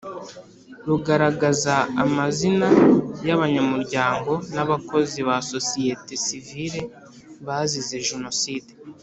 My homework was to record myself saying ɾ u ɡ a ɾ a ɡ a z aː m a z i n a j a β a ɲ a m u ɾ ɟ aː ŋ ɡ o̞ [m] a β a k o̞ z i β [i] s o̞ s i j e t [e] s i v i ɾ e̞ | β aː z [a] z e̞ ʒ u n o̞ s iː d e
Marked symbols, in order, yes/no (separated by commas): no, no, yes, no